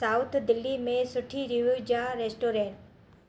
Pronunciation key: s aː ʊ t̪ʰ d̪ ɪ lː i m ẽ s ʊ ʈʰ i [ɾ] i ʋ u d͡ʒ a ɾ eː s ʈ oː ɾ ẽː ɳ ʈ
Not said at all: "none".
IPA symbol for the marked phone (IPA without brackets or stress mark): ɾ